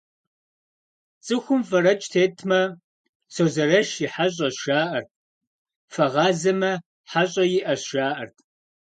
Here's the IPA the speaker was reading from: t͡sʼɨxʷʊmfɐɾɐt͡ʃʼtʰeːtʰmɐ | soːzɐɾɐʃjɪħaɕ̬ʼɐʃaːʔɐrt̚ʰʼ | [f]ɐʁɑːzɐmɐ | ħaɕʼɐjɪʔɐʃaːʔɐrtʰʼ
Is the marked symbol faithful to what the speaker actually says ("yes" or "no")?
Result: yes